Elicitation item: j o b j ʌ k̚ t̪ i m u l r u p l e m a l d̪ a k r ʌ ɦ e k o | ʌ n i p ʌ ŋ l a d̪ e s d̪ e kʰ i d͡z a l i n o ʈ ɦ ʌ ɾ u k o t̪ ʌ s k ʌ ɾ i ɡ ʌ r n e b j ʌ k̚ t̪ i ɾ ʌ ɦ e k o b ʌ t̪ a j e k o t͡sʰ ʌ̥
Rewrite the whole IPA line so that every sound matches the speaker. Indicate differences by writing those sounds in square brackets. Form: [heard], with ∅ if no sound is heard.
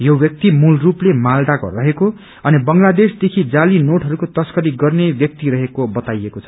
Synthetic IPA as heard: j o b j ʌ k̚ t̪ i m u l r u p l e m a l d̪ a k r ʌ ɦ e k o | ʌ n i [b] ʌ ŋ l a d̪ e s d̪ e kʰ i d͡z a l i n o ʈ ɦ ʌ ɾ u k o t̪ ʌ s k ʌ ɾ i ɡ ʌ r n e b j ʌ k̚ t̪ i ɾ ʌ ɦ e k o b ʌ t̪ a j e k o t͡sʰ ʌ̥